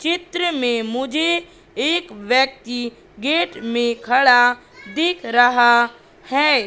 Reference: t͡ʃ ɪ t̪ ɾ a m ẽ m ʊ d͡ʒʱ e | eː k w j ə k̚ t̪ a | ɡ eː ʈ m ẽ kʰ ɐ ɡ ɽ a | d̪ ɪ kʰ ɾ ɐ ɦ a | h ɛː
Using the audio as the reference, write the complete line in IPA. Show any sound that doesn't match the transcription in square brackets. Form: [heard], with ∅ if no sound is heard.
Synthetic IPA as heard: t͡ʃ ɪ t̪ ɾ [ə] m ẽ m ʊ d͡ʒʱ e | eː k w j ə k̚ t̪ [i] | ɡ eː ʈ m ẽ kʰ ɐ [∅] ɽ a | d̪ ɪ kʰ ɾ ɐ ɦ a | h ɛː